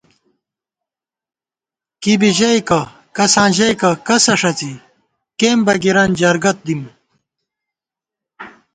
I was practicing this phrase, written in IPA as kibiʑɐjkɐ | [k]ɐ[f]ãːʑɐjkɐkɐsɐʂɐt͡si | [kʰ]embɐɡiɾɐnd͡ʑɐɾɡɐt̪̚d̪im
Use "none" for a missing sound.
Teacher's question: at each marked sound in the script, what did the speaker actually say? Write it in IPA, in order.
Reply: k, s, k

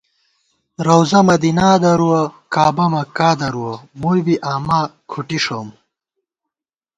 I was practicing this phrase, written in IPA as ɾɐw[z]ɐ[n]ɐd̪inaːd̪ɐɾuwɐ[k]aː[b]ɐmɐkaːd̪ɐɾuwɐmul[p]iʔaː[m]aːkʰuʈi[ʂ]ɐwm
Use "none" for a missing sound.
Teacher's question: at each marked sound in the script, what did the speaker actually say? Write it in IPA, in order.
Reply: z, m, k, b, b, m, ʂ

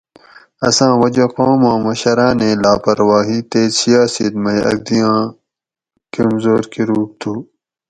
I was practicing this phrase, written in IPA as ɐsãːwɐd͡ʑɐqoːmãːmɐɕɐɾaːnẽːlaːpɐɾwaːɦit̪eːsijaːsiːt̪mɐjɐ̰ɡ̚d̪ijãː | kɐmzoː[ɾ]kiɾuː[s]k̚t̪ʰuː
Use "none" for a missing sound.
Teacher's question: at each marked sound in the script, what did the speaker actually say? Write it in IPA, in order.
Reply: ɾ, none

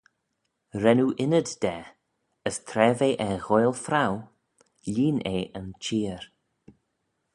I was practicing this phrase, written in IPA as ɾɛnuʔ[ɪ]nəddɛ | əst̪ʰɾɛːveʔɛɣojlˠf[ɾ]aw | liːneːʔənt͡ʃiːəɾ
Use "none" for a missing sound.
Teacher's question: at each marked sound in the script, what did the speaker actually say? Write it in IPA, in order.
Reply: ɪ, ɾ

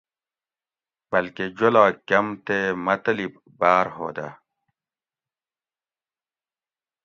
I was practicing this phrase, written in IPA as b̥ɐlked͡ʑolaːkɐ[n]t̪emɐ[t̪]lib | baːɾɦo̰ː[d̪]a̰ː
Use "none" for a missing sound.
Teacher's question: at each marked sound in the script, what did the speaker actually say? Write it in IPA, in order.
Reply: m, t̪, d̪

